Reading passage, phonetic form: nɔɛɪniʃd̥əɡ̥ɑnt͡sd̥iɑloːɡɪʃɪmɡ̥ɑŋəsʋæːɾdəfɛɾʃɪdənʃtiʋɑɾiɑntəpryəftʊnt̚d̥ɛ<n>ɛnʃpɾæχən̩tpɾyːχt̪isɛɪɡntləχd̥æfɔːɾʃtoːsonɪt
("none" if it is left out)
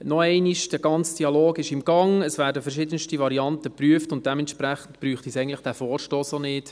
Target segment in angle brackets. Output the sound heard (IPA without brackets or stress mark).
m